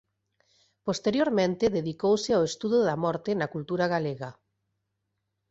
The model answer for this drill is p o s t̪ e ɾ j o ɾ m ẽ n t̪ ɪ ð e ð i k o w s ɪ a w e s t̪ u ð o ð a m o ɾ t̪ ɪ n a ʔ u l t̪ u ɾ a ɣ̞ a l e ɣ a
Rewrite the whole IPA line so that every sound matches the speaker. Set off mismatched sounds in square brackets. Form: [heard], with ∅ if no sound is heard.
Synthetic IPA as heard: p o s t̪ e ɾ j o ɾ m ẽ n t̪ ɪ ð e ð i k o w s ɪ a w e s t̪ u ð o ð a m [ɔ] ɾ t̪ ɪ n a [k] u l t̪ u ɾ a ɣ̞ a l e ɣ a